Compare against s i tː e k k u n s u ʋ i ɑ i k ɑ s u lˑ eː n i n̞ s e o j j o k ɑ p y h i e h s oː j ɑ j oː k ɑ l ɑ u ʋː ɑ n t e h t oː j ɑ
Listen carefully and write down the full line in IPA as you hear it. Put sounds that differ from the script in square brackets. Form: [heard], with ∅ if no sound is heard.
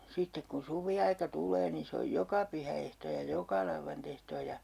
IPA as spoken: s i tː e k k u n s u ʋ i ɑ i k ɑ [t] u lˑ eː n i n̞ s e o j j o k ɑ p y h [æ] e h [t] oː j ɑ j [o] k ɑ l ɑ u ʋː ɑ n t e h t oː j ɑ